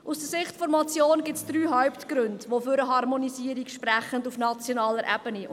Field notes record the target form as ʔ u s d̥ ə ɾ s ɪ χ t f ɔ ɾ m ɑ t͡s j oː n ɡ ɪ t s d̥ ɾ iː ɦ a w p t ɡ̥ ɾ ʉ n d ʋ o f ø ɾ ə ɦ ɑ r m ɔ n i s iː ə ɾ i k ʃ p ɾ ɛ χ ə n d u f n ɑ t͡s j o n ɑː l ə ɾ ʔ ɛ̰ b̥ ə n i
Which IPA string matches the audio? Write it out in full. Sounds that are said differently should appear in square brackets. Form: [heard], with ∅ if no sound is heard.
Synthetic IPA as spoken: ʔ u s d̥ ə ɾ s ɪ χ t f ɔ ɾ m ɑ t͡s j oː n ɡ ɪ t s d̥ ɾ [yː] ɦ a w p t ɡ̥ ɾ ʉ n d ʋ o f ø ɾ ə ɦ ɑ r m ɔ n i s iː ə ɾ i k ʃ p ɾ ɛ χ ə n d u f n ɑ t͡s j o n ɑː l ə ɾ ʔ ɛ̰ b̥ ə n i